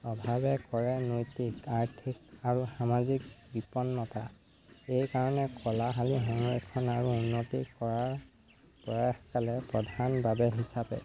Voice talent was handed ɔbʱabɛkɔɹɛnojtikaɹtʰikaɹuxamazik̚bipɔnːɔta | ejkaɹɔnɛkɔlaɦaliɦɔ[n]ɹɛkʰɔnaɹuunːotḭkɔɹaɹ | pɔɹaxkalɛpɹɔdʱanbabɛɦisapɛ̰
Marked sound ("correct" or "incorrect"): incorrect